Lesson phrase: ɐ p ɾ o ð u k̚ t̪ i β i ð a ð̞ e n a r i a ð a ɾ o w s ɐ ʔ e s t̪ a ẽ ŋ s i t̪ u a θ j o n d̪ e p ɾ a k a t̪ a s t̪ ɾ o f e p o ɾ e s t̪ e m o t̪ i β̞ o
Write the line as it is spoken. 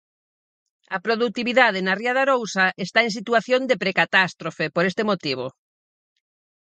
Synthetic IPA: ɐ p ɾ o ð u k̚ t̪ i β i ð a ð̞ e n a r i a ð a ɾ o w s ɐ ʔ e s t̪ a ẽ ŋ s i t̪ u a θ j o n d̪ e p ɾ e k a t̪ a s t̪ ɾ o f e p o ɾ e s t̪ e m o t̪ i β̞ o